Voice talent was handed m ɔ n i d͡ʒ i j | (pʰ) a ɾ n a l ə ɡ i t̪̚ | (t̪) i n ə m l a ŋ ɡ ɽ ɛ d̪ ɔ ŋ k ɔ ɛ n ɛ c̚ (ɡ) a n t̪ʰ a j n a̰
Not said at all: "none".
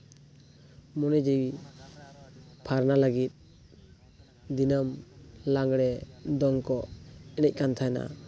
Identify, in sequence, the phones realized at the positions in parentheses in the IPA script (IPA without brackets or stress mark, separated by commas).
pʰ, d̪, k